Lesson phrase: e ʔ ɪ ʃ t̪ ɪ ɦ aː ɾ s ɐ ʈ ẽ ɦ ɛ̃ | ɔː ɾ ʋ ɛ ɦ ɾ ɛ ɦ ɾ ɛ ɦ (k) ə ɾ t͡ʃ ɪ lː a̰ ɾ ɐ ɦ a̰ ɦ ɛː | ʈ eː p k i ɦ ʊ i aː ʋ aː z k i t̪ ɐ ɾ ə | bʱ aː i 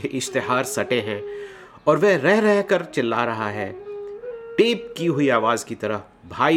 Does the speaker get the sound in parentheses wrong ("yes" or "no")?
no